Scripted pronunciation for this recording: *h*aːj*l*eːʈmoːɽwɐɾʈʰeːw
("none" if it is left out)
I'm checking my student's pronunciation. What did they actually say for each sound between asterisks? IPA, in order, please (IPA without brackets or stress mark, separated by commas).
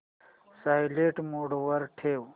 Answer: s, l